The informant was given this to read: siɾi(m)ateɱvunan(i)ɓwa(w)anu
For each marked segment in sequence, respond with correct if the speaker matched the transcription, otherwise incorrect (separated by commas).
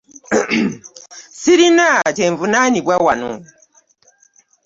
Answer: incorrect, correct, correct